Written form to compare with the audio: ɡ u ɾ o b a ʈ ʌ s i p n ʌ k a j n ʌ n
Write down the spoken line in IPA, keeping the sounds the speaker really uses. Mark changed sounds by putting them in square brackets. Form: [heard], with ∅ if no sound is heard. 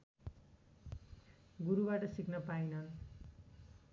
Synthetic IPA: ɡ u ɾ [u] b a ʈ ʌ s i [k] n ʌ [p] a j n ʌ n